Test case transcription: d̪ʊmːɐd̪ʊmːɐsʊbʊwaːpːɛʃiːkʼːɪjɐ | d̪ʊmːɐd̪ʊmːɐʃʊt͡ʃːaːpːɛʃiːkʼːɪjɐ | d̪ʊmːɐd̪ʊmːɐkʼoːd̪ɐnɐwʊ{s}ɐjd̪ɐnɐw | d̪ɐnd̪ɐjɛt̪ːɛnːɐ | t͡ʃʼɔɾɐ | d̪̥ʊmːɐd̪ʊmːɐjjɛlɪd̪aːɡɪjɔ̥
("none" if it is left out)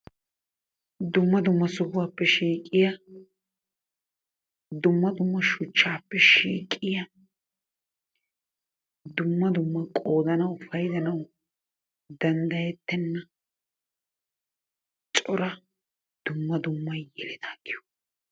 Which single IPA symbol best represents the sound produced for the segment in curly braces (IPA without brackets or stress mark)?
f